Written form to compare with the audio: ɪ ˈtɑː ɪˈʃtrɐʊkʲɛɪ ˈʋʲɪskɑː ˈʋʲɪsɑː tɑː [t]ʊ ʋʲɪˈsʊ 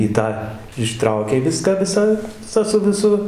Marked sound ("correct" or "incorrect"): incorrect